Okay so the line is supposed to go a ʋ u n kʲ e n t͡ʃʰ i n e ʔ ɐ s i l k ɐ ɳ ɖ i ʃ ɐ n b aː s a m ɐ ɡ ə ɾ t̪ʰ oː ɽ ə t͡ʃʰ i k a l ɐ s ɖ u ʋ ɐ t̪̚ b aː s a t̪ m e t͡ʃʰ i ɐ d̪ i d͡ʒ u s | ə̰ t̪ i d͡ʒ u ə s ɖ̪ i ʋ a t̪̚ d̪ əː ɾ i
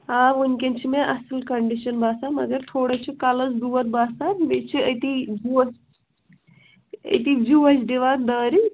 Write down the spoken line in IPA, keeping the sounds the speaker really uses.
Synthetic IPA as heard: a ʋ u n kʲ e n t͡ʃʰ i m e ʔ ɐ s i l k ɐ ɳ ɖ i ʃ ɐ n b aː s a m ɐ ɡ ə ɾ t̪ʰ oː ɽ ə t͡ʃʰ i k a l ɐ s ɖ u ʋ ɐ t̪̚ b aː s a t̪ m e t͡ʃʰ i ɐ t̪ i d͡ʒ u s | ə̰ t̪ i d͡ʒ u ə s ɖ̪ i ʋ a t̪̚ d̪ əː ɾ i